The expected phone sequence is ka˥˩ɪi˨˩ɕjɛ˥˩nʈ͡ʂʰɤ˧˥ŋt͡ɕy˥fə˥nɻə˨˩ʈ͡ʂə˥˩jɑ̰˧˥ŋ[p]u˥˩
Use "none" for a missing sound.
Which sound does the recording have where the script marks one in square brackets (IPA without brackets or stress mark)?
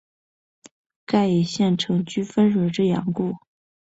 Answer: k